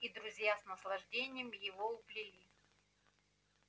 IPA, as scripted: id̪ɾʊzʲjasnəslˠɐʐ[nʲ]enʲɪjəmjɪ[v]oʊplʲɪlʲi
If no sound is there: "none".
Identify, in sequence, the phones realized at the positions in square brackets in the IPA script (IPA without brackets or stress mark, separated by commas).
dʲ, v